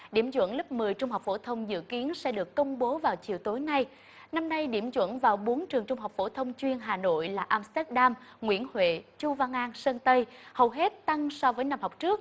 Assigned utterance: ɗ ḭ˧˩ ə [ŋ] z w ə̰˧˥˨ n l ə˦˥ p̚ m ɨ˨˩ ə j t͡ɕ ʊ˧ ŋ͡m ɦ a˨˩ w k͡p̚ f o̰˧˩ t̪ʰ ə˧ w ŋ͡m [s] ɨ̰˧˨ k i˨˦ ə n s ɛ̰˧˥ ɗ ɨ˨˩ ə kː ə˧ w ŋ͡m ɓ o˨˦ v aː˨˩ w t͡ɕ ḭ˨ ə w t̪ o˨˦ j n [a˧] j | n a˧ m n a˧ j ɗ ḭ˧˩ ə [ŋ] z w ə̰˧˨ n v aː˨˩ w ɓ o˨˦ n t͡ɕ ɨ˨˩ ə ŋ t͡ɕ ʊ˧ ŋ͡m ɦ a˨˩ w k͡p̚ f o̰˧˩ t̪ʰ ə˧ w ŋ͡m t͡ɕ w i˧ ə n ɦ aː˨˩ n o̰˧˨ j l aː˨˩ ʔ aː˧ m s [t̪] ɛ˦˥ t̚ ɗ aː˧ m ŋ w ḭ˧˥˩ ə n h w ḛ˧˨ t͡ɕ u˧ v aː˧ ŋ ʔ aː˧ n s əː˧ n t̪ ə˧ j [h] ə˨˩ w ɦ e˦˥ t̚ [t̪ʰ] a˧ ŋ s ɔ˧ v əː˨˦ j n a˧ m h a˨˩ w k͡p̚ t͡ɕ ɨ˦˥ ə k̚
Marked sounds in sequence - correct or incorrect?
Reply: incorrect: m, incorrect: z, correct, incorrect: m, correct, correct, incorrect: t̪

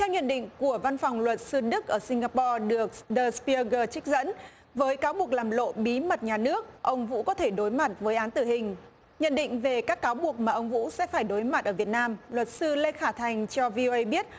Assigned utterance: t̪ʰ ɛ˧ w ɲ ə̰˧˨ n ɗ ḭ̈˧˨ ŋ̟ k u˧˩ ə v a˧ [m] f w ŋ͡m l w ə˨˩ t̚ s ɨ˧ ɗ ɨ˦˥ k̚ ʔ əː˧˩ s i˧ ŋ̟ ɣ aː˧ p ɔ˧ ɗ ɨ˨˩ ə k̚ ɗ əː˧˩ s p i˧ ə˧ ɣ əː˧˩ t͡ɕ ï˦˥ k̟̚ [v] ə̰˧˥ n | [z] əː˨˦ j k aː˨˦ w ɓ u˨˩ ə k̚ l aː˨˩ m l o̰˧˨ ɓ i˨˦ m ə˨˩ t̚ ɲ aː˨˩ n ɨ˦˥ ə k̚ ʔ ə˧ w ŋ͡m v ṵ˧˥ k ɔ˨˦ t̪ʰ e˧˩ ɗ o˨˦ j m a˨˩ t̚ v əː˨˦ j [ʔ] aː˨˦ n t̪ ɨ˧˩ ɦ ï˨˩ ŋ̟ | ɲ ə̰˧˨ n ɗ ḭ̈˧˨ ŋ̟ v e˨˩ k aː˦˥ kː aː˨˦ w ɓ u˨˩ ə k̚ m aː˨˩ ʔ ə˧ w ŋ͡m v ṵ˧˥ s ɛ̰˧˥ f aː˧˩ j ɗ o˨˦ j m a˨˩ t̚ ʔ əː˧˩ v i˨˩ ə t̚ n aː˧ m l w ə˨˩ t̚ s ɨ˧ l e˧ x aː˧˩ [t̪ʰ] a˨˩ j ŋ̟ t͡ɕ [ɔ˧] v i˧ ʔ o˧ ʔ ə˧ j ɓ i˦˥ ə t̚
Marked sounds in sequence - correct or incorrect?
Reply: incorrect: n, incorrect: z, incorrect: v, correct, correct, correct

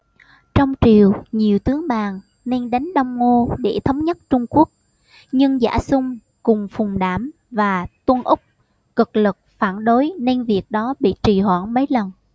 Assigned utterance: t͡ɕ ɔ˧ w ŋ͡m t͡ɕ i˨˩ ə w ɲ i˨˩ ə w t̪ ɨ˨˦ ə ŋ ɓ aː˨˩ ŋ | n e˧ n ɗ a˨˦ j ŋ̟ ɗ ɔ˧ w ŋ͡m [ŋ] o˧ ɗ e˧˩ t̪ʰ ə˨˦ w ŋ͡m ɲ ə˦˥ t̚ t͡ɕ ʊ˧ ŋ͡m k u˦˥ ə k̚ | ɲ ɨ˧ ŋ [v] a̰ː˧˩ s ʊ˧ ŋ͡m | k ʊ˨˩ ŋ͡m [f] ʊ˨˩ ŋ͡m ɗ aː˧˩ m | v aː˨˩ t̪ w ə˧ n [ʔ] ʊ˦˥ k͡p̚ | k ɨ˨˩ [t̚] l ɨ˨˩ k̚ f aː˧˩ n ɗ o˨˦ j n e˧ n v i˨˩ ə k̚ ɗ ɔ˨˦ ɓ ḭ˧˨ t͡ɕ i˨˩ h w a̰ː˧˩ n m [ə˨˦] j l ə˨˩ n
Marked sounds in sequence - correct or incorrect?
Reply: correct, incorrect: z, correct, correct, incorrect: k̚, correct

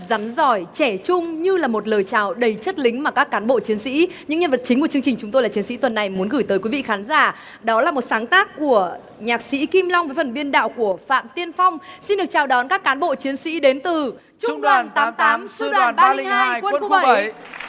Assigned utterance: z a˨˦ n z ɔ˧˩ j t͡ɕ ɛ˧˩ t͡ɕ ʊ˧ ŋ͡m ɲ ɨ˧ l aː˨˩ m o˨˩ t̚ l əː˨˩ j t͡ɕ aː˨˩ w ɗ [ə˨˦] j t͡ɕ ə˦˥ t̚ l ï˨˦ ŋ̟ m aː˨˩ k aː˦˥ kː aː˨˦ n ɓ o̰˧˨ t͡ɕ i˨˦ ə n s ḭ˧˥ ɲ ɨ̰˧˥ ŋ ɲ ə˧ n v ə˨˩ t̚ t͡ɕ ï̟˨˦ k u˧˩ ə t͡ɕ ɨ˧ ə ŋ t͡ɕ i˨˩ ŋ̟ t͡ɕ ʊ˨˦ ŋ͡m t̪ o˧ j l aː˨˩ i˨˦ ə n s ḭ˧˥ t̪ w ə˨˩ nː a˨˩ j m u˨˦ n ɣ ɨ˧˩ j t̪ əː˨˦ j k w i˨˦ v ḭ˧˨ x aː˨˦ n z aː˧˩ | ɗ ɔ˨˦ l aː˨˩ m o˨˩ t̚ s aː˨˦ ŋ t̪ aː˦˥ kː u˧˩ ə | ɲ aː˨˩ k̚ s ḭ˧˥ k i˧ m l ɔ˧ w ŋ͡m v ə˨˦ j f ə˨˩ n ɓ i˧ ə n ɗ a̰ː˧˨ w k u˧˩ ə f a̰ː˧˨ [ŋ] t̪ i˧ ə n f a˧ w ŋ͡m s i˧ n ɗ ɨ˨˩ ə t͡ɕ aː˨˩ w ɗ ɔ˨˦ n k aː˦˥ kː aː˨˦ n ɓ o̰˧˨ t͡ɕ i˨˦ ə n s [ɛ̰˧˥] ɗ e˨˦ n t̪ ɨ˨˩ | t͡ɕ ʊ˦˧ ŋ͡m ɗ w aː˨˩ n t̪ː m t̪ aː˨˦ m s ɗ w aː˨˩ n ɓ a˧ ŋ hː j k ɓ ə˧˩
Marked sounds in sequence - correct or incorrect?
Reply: incorrect: ə˨˩, incorrect: m, incorrect: ḭ˧˥

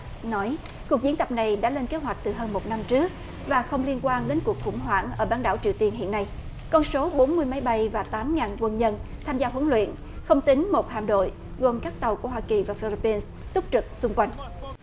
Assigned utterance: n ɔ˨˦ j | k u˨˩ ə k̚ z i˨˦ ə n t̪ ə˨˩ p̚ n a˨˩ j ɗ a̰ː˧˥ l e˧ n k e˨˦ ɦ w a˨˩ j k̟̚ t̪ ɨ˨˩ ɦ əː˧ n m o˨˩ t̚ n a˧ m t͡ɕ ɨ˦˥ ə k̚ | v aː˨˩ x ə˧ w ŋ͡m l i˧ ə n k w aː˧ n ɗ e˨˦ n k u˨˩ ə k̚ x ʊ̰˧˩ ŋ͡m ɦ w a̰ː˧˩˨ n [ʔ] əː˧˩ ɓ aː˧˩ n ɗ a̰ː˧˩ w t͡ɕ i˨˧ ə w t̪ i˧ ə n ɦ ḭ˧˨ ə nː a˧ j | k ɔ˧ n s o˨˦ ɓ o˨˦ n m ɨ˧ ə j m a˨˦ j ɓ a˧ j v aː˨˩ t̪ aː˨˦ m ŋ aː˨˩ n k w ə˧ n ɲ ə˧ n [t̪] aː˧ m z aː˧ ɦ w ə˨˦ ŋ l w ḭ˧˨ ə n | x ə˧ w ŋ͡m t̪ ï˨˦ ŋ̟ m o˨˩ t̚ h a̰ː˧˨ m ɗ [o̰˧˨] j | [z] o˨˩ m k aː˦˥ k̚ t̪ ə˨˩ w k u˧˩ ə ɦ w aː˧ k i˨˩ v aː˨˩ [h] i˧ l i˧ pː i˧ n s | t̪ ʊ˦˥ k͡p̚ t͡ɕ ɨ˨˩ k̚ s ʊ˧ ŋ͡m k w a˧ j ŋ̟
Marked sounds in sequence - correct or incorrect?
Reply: correct, incorrect: t̪ʰ, correct, incorrect: ɣ, incorrect: f

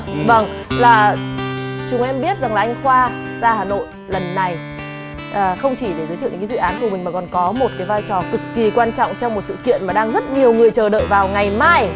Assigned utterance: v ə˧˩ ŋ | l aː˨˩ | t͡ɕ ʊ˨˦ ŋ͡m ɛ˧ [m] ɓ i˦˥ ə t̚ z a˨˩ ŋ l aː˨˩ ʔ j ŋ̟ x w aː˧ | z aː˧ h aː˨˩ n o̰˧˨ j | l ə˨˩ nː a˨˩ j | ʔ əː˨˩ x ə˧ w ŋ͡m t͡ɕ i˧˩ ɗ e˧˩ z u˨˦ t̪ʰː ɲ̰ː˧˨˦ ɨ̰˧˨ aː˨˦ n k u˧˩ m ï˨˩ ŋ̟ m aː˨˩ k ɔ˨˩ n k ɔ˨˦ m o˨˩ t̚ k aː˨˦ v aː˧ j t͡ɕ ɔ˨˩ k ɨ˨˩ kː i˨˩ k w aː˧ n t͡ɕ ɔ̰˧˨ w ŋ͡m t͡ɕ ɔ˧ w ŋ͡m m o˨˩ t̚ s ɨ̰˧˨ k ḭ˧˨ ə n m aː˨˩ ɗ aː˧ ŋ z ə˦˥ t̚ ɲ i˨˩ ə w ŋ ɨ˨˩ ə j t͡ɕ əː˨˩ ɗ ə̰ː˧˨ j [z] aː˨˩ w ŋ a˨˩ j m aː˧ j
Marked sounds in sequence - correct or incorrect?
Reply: correct, incorrect: v

